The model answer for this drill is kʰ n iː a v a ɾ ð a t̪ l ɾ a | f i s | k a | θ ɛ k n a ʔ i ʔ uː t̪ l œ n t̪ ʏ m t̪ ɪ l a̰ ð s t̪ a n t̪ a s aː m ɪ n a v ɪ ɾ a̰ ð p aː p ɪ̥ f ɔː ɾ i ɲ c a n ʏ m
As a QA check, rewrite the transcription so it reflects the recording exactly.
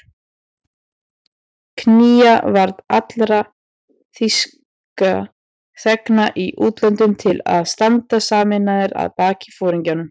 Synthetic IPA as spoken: kʰ n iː a v a ɾ ð a t̪ l ɾ a | θ i s | k a | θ ɛ k n a ʔ i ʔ uː t̪ l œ n t̪ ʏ m t̪ʰ ɪ l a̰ ð s t̪ a n t̪ a s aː m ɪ n a ð ɪ ɾ a̰ ð p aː c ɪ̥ f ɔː ɾ i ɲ c a n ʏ m